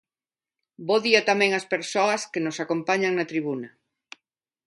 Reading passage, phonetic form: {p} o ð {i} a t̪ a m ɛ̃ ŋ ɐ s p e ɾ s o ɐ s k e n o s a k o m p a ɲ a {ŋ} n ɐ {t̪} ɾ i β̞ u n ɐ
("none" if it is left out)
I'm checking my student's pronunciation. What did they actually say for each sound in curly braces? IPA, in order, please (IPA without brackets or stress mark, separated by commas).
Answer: b, i, ŋ, t̪